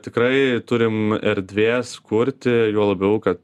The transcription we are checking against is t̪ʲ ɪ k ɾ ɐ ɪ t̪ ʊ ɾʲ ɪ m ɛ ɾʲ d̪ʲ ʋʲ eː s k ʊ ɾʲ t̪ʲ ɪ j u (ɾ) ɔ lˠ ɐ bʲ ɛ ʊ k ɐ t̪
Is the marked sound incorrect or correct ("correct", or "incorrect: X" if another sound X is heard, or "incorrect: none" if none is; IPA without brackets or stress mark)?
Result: incorrect: none